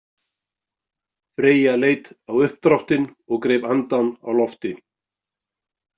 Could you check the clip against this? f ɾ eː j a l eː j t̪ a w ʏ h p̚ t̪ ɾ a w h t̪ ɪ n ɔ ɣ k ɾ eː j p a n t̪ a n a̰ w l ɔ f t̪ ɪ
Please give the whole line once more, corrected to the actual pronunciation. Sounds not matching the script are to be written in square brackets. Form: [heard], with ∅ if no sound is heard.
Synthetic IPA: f ɾ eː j a l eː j t̪ a w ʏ h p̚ t̪ ɾ a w h t̪ ɪ n ɔ ɣ k ɾ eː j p a n t̪ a n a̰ w l ɔ f t̪ ɪ

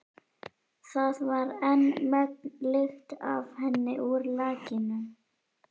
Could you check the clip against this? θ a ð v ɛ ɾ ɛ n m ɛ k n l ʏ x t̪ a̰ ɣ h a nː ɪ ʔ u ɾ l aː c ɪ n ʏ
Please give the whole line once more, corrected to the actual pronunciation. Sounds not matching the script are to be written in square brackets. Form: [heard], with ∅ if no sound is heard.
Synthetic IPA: θ a ð v [a] ɾ ɛ n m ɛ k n l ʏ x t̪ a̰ [v] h [ɛ] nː ɪ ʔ u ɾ l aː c ɪ n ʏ

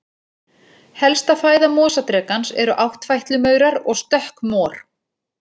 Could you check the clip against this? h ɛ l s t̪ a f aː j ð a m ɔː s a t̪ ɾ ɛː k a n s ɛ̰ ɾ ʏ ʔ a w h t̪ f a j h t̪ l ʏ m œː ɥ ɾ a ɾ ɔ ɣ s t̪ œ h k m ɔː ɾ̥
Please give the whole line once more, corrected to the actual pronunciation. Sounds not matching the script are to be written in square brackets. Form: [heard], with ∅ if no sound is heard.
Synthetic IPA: h ɛ l s t̪ a f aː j ð a m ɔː s a t̪ ɾ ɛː k a n s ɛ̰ ɾ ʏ ʔ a w h t̪ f a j h t̪ l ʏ m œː ɥ ɾ a ɾ ɔ ɣ s t̪ œ h k m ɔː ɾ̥

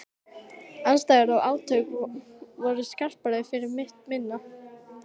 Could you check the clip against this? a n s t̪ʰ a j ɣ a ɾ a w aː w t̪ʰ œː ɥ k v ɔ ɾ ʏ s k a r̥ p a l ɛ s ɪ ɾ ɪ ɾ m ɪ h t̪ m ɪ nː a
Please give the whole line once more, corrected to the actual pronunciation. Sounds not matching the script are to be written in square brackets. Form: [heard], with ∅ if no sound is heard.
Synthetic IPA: a n s [t̪] a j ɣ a ɾ a w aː w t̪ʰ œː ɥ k v ɔ ɾ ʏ s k a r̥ p a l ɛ [f] ɪ ɾ ɪ ɾ m ɪ h t̪ m ɪ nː a

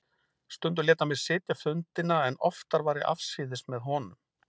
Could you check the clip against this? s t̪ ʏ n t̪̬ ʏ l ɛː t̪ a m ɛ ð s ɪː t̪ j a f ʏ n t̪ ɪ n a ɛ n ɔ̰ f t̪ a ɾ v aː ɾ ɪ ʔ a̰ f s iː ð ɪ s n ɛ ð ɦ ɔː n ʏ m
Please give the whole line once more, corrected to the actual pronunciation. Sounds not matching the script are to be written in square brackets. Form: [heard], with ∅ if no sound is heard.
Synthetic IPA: s t̪ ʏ n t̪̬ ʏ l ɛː t̪ a m ɛ ð s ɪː t̪ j a f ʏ n t̪ ɪ n a ɛ n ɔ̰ f t̪ a ɾ v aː ɾ ɪ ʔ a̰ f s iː ð ɪ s [m] ɛ ð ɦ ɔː n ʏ m

